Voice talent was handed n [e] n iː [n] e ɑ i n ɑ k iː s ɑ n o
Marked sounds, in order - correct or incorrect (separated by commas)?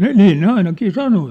correct, correct